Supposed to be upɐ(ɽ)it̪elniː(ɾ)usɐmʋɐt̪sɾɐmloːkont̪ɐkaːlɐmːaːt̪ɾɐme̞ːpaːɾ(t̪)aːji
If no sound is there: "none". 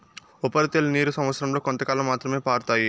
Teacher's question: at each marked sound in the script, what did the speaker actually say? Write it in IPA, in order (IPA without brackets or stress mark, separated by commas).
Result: ɾ, ɾ, t̪